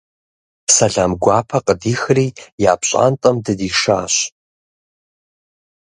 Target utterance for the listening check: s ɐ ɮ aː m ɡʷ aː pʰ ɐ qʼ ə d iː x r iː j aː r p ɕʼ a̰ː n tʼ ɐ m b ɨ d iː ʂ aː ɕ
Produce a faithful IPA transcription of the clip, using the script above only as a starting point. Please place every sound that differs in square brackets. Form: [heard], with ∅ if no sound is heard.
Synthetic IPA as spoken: s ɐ ɮ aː m ɡʷ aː pʰ ɐ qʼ ə d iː x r iː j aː [∅] p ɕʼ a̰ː n tʼ ɐ m [d] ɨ d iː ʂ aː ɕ